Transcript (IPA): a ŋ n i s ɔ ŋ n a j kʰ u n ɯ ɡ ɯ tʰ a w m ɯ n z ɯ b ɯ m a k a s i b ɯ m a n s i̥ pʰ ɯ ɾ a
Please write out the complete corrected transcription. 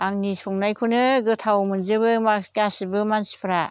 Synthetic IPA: a ŋ n i s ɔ ŋ n a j kʰ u n ɯ ɡ ɯ tʰ a w m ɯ n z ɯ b ɯ m a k a s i b ɯ m a n s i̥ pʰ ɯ ɾ a